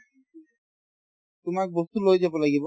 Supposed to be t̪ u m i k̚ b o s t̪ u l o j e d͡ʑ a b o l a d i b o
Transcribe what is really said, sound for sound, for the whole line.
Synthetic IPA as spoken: t̪ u m a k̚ b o s t̪ u l o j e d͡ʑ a b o l a ɡ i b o

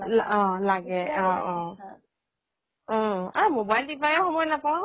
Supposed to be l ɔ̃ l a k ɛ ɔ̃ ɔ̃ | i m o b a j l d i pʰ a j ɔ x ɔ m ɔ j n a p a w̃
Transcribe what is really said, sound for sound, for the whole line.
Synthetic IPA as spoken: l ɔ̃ l a ɡ ɛ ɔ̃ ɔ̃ | a m o b a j l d i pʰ a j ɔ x ɔ m ɔ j n a p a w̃

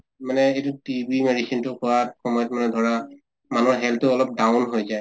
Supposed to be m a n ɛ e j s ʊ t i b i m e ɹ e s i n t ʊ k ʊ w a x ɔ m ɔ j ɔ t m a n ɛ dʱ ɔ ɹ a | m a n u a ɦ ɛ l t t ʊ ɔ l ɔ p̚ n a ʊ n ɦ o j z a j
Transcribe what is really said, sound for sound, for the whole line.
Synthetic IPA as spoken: m a n ɛ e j t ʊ t i b i m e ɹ i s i n t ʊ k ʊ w a x ɔ m ɔ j ɔ t m a n ɛ dʱ ɔ ɹ a | m a n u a ɦ ɛ l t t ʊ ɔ l ɔ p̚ d a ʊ n ɦ o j z a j

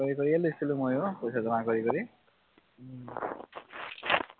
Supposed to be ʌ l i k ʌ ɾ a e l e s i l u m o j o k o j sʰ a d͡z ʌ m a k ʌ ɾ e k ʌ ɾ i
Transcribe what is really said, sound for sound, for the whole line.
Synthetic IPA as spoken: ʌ ɾ i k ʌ ɾ i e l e s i l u m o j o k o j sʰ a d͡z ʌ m a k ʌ ɾ i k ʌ ɾ i

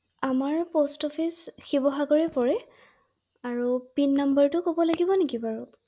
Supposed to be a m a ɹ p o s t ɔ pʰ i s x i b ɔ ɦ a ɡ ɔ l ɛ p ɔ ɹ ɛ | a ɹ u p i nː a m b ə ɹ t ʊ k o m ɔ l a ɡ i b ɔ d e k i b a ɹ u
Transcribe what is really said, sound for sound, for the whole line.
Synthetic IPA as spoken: a m a ɹ p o s t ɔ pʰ i s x i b ɔ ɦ a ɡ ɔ ɹ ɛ p ɔ ɹ ɛ | a ɹ u p i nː a m b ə ɹ t ʊ k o b ɔ l a ɡ i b ɔ n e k i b a ɹ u

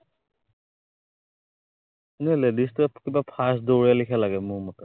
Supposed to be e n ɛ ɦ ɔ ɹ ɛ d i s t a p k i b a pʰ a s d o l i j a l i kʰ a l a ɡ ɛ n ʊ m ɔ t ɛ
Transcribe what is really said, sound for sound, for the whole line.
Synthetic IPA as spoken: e n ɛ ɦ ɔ l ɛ d i s t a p k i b a pʰ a s d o ɹ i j a l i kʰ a l a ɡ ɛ m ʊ m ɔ t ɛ

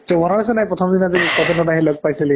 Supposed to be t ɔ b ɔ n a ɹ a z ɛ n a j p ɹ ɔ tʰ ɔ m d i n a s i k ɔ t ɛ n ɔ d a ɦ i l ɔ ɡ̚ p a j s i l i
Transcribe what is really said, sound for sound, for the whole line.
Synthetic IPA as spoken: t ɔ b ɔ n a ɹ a s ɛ n a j p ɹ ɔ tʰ ɔ m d i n a z i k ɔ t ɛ n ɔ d a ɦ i l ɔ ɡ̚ p a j s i l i

